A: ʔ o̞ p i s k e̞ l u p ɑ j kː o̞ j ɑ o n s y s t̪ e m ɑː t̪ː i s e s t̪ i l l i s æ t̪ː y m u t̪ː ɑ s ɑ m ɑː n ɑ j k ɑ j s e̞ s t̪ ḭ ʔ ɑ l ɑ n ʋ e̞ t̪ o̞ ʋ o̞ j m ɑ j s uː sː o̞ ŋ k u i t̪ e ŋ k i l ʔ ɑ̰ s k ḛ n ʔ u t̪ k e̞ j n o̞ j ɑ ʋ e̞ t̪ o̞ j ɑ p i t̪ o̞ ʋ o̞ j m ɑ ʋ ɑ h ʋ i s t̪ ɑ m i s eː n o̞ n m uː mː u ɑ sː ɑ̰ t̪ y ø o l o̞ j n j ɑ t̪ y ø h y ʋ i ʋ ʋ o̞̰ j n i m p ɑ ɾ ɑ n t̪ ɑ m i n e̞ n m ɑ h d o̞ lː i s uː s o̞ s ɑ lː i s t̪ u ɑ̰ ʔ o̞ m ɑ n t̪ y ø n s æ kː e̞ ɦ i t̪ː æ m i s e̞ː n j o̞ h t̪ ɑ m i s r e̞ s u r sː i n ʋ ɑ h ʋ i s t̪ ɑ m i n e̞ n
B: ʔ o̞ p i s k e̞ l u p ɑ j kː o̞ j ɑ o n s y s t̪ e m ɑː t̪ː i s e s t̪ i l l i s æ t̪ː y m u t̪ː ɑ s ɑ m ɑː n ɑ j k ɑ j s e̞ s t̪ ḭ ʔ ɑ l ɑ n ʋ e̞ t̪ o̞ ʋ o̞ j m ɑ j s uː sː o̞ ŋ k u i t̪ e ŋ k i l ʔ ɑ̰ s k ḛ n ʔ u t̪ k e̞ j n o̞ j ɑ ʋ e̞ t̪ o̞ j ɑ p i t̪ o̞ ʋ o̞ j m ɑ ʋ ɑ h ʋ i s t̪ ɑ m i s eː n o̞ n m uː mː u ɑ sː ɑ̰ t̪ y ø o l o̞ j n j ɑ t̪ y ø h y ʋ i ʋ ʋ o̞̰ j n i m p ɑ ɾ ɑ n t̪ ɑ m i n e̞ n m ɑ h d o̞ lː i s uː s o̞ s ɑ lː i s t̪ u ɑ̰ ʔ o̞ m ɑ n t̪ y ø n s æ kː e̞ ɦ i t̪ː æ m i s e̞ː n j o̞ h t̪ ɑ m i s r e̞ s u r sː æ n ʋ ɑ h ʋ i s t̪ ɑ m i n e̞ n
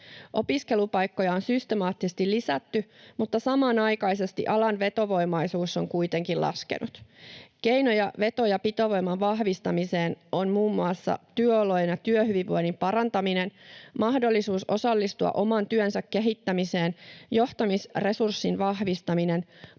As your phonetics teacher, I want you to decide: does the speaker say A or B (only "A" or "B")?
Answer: A